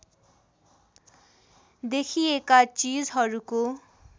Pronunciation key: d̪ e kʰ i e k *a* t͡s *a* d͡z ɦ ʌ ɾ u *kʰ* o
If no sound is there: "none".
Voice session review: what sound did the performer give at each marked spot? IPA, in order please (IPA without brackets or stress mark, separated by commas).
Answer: a, i, k